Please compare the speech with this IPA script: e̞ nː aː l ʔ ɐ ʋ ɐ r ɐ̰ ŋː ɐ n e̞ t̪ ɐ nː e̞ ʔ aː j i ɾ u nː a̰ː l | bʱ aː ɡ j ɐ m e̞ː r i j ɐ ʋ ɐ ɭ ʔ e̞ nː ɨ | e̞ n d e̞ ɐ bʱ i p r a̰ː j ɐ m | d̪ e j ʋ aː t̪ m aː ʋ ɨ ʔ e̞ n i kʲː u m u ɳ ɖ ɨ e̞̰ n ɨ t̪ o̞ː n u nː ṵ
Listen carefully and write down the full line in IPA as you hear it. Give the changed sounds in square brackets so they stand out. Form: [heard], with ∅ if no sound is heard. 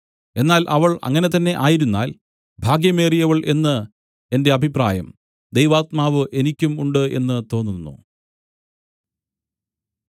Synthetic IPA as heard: e̞ nː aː l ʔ ɐ ʋ ɐ [ɭ] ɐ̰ ŋː ɐ n e̞ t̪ ɐ nː e̞ ʔ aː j i ɾ u nː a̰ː l | bʱ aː ɡ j ɐ m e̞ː r i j ɐ ʋ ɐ ɭ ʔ e̞ nː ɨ | e̞ n d e̞ ɐ bʱ i p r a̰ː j ɐ m | d̪ e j ʋ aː t̪ m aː ʋ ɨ ʔ e̞ n i kʲː u m u ɳ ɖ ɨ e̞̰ [nː] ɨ t̪ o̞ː [nː] u nː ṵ